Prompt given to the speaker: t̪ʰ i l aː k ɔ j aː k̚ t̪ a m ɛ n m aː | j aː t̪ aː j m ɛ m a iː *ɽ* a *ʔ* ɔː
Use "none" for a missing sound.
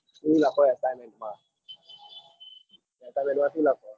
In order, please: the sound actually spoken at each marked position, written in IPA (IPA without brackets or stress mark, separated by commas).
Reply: l, k